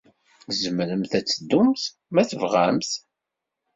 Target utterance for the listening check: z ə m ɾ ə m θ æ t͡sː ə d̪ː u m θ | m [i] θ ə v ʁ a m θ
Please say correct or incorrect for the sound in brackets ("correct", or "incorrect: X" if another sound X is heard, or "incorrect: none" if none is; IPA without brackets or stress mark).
incorrect: æ